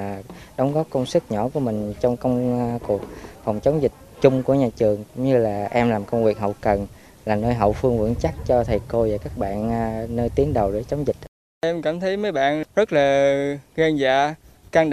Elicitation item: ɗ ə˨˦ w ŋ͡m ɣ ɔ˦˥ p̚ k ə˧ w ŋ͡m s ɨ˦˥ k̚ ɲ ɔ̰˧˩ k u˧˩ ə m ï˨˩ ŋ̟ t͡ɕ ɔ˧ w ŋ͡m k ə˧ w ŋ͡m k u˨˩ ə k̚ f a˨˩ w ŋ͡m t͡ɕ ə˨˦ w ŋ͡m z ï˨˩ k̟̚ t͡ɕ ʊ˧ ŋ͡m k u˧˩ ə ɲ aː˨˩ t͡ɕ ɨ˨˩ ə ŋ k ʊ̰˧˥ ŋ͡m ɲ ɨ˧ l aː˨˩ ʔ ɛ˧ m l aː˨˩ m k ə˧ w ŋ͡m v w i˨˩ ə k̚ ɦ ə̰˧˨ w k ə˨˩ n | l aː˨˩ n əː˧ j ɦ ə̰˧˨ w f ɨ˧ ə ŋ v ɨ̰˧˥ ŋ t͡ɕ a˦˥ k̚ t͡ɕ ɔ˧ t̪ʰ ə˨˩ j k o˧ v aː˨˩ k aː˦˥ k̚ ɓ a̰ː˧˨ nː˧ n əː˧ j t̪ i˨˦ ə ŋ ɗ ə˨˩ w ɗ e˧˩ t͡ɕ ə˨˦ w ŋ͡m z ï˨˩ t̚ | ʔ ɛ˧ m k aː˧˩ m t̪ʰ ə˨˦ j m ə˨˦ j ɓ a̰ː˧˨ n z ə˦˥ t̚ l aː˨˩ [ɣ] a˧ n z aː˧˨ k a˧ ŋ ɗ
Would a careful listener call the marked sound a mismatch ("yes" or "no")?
no